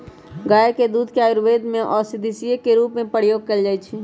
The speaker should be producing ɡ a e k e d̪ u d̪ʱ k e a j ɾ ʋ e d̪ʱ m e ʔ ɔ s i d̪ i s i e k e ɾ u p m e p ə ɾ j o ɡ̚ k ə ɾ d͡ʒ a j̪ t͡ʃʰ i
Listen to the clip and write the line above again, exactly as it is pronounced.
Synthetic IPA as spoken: ɡ a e k e d̪ u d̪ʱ k e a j ɾ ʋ e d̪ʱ m e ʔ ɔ s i d̪ i s i e k e ɾ u p m e p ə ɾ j o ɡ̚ k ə l d͡ʒ a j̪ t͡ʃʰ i